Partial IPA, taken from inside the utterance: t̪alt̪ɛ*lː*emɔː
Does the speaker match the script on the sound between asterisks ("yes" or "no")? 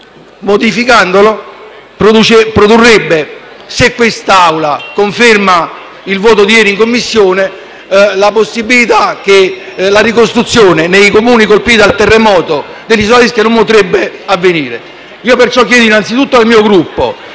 no